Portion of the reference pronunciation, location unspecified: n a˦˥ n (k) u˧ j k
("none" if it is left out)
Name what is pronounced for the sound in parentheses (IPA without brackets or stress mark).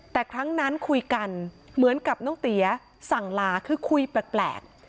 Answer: kʰ